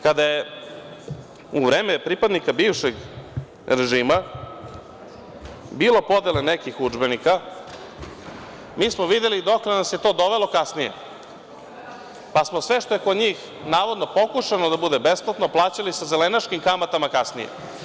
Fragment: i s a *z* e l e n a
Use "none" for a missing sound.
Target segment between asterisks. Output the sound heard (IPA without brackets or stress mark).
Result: z